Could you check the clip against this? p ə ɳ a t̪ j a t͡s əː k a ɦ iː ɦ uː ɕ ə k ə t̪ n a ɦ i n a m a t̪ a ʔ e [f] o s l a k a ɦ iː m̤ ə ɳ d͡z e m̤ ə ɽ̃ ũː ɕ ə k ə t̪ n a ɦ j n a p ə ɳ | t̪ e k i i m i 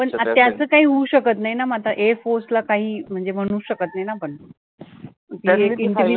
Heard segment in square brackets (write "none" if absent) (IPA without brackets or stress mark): f